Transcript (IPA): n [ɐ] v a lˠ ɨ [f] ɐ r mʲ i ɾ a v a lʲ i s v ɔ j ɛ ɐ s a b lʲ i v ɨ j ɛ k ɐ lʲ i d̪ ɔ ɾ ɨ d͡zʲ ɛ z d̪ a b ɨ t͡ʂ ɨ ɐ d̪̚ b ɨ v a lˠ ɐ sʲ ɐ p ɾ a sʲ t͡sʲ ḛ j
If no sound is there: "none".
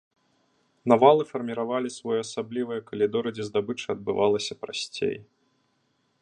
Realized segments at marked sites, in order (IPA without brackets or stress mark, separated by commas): a, f